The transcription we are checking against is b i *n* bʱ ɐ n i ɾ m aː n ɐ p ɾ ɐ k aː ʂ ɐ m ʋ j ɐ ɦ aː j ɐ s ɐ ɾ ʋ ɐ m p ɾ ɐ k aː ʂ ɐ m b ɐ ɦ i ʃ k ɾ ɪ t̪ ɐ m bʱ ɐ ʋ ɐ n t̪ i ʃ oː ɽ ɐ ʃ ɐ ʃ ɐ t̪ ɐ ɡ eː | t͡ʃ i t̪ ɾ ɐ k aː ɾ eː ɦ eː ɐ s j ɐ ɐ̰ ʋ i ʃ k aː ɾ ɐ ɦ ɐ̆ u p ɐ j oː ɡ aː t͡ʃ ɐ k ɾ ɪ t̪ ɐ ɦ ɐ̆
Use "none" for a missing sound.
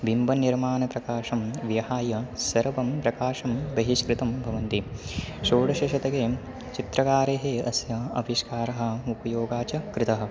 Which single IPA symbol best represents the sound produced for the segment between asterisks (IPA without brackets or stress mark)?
m